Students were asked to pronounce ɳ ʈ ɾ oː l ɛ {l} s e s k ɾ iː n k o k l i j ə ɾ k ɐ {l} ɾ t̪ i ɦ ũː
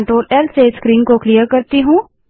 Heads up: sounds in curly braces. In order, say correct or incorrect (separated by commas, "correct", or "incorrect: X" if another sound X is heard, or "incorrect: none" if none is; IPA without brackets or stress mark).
correct, incorrect: none